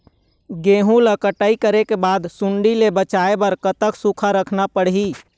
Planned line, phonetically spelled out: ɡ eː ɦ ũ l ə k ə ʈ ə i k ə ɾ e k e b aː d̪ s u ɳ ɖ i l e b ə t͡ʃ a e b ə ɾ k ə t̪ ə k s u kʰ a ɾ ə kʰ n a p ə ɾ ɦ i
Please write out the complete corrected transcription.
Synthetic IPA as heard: ɡ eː ɦ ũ l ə k ə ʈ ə i k ə ɾ e k e b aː d̪ s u ɳ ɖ i l e b ə t͡ʃ a e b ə ɾ k ə t̪ ə k s u kʰ a ɾ ə kʰ n a p ə ɽ ɦ i